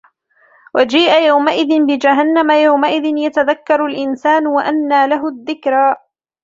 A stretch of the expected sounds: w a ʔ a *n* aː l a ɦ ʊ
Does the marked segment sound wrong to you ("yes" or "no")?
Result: yes